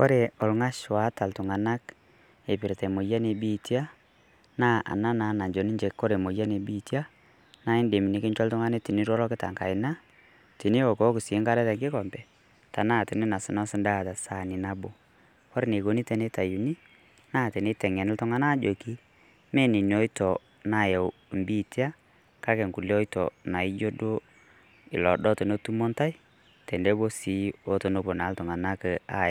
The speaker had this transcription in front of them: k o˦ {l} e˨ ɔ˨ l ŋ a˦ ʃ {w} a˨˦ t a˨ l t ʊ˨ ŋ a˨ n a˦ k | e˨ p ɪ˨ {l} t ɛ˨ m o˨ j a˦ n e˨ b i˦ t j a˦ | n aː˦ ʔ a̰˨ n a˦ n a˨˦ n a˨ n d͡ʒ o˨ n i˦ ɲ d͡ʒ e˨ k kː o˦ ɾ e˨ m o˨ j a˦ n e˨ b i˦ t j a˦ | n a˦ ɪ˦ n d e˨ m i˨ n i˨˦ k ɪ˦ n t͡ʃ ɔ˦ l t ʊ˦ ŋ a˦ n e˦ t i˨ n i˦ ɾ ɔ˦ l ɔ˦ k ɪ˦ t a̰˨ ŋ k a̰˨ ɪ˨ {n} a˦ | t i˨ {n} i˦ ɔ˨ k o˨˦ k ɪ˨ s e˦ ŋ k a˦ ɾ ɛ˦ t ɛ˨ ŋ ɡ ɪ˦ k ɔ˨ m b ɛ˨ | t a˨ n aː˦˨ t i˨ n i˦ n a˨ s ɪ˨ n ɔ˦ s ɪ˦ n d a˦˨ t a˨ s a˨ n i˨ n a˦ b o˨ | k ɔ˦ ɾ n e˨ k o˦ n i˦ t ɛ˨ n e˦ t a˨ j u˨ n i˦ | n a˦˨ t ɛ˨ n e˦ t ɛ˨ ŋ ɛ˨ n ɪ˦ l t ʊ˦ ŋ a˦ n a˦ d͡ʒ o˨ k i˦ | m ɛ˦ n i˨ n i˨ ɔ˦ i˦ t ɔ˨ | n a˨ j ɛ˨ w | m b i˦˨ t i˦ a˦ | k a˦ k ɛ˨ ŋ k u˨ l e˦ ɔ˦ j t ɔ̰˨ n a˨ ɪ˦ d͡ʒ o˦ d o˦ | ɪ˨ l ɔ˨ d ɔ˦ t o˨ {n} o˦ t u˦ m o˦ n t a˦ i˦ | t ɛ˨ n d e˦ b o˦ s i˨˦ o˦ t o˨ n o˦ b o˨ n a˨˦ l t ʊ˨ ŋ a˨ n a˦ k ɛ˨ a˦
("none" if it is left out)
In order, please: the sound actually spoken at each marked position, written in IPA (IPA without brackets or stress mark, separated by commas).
ɾ, w, ɾ, n, n, n